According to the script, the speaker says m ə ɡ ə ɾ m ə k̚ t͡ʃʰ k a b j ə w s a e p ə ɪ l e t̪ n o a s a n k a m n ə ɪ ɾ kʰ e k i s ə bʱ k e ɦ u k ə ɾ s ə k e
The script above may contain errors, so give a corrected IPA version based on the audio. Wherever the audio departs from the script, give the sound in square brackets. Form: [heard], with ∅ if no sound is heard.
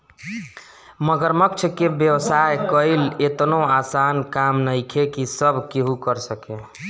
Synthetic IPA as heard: m ə ɡ ə ɾ m ə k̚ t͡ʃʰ k [e] b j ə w s a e [k] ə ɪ l e t̪ n o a s a n k a m n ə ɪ [∅] kʰ e k i s ə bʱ k e ɦ u k ə ɾ s ə k e